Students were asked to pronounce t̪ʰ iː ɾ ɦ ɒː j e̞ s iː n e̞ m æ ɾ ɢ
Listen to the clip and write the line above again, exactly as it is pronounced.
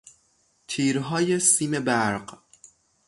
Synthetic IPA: t̪ʰ iː ɾ ɦ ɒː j e̞ s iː m e̞ b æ ɾ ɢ